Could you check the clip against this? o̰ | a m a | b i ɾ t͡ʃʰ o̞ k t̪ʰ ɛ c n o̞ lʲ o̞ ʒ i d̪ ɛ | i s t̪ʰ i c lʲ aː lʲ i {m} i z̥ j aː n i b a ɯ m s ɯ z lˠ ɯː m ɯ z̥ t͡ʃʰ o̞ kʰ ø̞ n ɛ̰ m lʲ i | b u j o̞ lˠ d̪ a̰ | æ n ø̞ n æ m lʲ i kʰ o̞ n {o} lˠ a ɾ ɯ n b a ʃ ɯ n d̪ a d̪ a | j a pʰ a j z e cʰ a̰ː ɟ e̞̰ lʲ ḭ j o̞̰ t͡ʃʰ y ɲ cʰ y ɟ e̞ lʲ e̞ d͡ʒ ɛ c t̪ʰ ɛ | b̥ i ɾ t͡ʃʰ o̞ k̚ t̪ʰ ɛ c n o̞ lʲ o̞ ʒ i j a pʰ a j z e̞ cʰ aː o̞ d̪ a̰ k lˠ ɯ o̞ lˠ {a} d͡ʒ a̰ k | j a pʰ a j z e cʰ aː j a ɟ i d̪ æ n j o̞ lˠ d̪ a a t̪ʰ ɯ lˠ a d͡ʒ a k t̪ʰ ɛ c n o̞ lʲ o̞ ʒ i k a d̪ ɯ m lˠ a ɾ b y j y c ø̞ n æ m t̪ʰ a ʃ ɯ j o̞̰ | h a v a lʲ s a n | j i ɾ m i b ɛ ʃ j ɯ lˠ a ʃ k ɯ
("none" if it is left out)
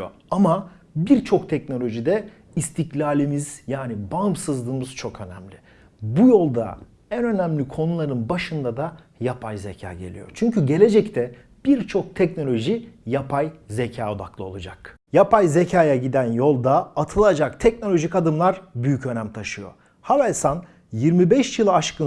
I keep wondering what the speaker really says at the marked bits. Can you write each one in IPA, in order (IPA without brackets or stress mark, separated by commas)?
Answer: m, u, a